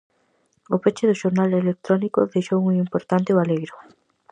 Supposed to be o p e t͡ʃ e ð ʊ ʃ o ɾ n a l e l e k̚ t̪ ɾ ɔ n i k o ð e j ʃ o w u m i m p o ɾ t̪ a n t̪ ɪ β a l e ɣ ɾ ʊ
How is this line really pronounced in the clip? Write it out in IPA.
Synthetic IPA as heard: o p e t͡ʃ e ð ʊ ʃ o ɾ n a l e l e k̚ t̪ ɾ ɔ n i k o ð e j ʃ o w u ŋ i m p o ɾ t̪ a n t̪ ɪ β a l e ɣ ɾ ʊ